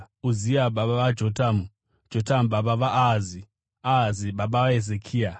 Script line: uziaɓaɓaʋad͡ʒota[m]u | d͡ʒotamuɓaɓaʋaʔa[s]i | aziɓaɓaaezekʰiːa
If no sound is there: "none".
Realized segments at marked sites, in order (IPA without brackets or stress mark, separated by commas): m, z